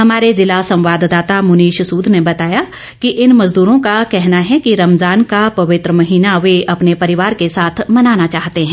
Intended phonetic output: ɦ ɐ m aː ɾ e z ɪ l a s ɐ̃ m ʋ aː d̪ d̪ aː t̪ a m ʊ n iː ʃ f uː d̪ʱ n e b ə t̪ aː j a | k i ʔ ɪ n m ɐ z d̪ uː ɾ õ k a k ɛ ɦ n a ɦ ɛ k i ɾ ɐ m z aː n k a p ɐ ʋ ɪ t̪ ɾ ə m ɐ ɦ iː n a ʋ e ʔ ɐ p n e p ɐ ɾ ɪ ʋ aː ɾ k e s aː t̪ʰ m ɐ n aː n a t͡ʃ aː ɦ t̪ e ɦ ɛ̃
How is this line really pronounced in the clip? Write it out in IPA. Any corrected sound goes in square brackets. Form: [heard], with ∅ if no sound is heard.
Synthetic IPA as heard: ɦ ɐ m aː ɾ e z ɪ l a s ɐ̃ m ʋ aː d̪ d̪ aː t̪ a m ʊ n iː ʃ [s] uː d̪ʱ n e b [ɐ] t̪ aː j a | k i ʔ ɪ n m ɐ z d̪ uː ɾ õ k a k ɛ ɦ n a ɦ ɛ k i ɾ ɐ m z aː n k a p ɐ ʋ ɪ t̪ ɾ ə m ɐ ɦ iː n a ʋ e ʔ ɐ p n e p ɐ ɾ ɪ ʋ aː ɾ k e s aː t̪ʰ m ɐ n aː n a t͡ʃ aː ɦ t̪ e ɦ ɛ̃

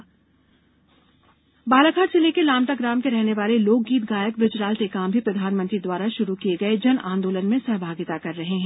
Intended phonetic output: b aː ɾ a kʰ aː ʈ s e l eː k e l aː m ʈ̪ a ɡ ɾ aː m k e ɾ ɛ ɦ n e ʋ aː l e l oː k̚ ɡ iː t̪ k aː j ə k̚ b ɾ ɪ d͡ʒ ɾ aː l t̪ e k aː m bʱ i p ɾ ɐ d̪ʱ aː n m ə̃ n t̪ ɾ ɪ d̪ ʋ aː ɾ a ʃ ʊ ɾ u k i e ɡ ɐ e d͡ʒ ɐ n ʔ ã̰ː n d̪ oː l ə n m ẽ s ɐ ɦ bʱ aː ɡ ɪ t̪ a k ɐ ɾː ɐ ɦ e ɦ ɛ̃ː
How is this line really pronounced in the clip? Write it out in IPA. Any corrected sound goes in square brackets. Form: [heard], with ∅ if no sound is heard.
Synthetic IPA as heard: b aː [l] a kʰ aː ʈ s e l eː k e l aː m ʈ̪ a ɡ ɾ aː m k e ɾ ɛ ɦ n e ʋ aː l e l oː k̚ ɡ iː t̪ [ɡ] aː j ə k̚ b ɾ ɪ d͡ʒ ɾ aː l t̪ e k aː m bʱ i p ɾ ɐ d̪ʱ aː n m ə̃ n t̪ ɾ [i] d̪ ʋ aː ɾ a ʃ ʊ ɾ u k i e ɡ ɐ e d͡ʒ ɐ n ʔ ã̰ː n d̪ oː l ə n m ẽ s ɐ ɦ bʱ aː ɡ ɪ t̪ a k ɐ ɾː ɐ ɦ e ɦ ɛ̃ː

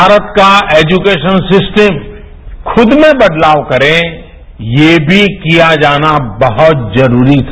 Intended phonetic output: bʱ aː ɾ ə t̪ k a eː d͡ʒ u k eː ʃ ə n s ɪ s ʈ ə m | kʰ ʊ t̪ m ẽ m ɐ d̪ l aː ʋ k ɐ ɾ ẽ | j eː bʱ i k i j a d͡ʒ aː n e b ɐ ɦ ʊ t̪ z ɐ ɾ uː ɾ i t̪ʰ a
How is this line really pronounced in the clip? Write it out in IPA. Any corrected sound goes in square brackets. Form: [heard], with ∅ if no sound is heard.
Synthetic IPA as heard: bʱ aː ɾ ə t̪ k a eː d͡ʒ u k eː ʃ ə n s ɪ s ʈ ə m | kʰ ʊ [d̪] m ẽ [b] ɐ d̪ l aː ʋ k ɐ ɾ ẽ | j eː bʱ i k i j a d͡ʒ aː n [a] b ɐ ɦ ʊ t̪ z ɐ ɾ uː ɾ i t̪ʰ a

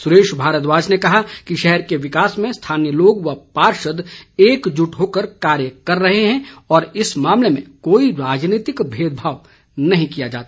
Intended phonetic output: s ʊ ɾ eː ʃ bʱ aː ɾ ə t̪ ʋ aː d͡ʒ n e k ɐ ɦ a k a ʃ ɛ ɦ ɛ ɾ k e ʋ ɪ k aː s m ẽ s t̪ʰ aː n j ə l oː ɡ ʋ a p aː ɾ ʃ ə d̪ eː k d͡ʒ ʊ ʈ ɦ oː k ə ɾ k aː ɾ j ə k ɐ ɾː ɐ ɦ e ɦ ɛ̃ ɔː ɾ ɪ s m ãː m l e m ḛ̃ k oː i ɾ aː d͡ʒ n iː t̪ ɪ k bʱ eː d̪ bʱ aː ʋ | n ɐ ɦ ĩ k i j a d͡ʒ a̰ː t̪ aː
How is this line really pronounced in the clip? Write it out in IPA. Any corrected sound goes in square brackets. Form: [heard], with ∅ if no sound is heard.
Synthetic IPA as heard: s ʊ ɾ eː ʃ bʱ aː ɾ ə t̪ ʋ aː d͡ʒ n e k ɐ ɦ a k [i] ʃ ɛ ɦ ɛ ɾ k e ʋ ɪ k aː s m ẽ s t̪ʰ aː n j ə l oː ɡ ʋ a p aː ɾ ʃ ə d̪ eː k d͡ʒ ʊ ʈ ɦ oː k ə ɾ k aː ɾ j ə k ɐ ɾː ɐ ɦ e ɦ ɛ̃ ɔː ɾ ɪ s m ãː m l e m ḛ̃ k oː i ɾ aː d͡ʒ n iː t̪ ɪ k bʱ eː d̪ bʱ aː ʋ | n ɐ ɦ ĩ k i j a d͡ʒ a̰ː t̪ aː

